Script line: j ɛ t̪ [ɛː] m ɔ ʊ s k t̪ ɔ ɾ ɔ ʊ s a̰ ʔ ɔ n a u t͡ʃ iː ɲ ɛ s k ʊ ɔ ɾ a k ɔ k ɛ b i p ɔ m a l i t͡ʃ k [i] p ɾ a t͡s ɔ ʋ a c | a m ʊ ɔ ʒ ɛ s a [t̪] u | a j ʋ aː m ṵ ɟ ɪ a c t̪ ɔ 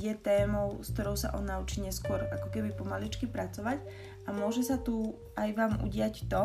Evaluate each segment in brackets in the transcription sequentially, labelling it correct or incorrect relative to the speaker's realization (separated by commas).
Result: correct, correct, correct